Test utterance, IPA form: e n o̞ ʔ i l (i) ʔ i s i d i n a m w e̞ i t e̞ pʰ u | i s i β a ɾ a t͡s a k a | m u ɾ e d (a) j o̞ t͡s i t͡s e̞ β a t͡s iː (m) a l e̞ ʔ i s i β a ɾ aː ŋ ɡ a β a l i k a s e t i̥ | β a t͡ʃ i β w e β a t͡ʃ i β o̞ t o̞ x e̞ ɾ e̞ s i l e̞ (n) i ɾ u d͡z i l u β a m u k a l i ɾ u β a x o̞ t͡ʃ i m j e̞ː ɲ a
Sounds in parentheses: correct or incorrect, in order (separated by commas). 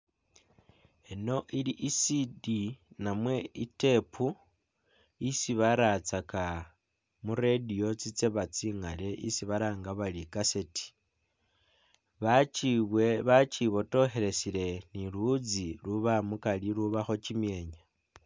correct, incorrect, incorrect, correct